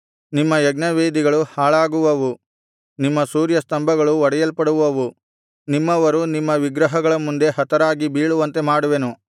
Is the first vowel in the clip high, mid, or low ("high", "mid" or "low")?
high